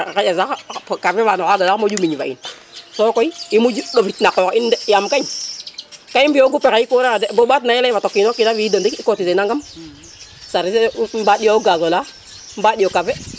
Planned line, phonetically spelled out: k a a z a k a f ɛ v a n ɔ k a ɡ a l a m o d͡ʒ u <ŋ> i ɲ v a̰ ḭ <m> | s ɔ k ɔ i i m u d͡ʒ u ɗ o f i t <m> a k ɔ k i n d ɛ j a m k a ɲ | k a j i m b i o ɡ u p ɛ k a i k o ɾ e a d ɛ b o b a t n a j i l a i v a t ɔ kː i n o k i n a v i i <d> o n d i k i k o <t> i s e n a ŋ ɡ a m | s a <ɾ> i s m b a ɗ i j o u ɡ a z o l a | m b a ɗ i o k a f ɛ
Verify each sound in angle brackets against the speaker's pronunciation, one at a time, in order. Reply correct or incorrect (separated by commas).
incorrect, incorrect, incorrect, correct, correct, correct